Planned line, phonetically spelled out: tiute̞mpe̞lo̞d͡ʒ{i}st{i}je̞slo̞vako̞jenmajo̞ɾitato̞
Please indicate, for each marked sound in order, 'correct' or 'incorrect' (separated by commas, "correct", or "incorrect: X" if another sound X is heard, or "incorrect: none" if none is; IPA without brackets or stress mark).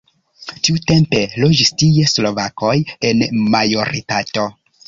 correct, correct